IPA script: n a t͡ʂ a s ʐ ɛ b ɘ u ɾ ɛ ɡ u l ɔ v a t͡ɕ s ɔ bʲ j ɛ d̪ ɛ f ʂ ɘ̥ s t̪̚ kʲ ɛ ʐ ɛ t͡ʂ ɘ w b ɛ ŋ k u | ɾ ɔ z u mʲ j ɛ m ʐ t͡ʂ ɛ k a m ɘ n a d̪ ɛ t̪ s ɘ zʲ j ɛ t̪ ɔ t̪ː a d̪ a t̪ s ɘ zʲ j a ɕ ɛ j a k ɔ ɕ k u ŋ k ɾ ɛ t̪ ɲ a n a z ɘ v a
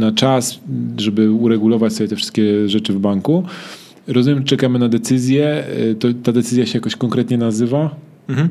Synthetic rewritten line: n a t͡ʂ a s ʐ ɛ b ɘ u ɾ ɛ ɡ u l ɔ v a t͡ɕ s ɔ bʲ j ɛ t̪ ɛ f ʂ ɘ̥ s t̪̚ kʲ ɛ ʐ ɛ t͡ʂ ɘ v b a ŋ k u | ɾ ɔ z u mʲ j ɛ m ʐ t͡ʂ ɛ k a m ɘ n a d̪ ɛ t̪ s ɘ zʲ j ɛ t̪ ɔ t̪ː a d̪ ɛ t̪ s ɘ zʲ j a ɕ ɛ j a k ɔ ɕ k ɔ ŋ k ɾ ɛ t̪ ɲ ɛ n a z ɘ v a